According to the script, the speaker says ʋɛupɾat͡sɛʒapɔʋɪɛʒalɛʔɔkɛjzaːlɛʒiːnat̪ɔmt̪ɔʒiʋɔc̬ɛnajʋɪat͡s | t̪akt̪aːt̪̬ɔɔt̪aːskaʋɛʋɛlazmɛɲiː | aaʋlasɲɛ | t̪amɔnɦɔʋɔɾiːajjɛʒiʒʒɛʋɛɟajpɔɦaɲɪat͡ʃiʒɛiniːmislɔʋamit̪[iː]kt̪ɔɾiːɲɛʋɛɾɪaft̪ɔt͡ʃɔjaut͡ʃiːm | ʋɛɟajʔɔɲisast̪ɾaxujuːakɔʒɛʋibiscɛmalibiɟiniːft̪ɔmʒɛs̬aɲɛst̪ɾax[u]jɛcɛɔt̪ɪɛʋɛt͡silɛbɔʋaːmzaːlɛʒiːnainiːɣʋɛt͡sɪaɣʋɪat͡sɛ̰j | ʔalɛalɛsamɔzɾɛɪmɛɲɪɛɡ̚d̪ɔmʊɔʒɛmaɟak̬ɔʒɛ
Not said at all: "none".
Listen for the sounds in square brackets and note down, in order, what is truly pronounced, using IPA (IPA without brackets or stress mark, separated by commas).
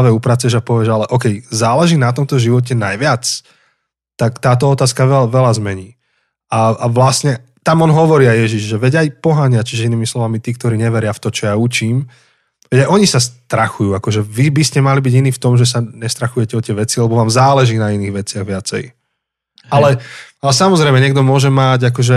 iː, u